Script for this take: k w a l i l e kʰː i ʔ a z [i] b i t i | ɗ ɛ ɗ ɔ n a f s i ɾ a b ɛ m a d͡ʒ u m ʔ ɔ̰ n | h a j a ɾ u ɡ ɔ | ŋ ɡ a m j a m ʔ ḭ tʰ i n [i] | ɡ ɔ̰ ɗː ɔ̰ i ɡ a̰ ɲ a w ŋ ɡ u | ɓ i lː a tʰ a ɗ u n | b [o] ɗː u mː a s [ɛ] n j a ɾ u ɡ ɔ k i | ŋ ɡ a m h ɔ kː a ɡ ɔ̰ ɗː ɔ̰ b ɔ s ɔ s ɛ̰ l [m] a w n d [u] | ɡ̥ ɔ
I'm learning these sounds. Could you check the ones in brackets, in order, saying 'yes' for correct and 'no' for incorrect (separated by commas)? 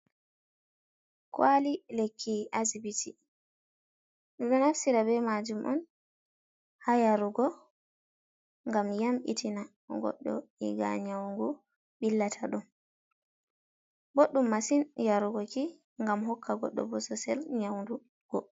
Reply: yes, no, yes, no, no, yes